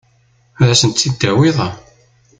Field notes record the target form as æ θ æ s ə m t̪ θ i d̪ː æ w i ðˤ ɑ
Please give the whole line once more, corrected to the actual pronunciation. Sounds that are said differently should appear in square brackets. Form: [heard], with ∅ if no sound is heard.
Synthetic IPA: æ [ð] æ s ə [n] t̪ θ i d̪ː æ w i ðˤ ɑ